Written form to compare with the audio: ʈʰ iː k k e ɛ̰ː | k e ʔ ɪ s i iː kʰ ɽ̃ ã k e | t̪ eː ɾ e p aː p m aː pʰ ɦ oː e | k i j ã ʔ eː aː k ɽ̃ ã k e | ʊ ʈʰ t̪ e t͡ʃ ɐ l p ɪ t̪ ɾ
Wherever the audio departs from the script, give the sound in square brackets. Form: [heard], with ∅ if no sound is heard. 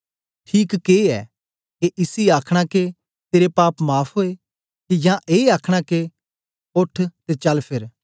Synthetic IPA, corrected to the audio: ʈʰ iː k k e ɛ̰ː | k e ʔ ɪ s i [aː] kʰ ɽ̃ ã k e | t̪ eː ɾ e p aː p m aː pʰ ɦ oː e | k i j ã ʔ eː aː [kʰ] ɽ̃ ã k e | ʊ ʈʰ t̪ e t͡ʃ ɐ l [pʰ] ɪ [∅] ɾ